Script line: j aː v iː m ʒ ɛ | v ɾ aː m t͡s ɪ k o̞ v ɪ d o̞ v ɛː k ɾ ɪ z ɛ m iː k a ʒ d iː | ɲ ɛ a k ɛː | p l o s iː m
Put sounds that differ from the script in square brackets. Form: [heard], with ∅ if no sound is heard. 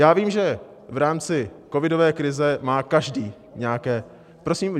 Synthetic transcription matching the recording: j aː v iː m ʒ ɛ | v ɾ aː m t͡s ɪ k o̞ v ɪ d o̞ v ɛː k ɾ ɪ z ɛ m [aː] k a ʒ d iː | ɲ ɛ a k ɛː | p [ɾ] o s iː m